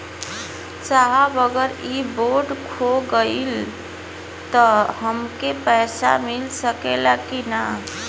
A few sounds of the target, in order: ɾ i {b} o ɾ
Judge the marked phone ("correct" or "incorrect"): correct